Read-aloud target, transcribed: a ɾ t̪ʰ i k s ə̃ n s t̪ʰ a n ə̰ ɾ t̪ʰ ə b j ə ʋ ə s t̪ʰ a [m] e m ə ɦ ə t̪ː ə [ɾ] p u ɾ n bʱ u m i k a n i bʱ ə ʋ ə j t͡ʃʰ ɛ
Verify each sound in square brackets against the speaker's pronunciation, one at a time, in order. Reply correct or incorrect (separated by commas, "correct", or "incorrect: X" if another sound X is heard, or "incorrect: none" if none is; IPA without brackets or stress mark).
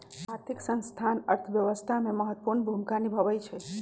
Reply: correct, incorrect: none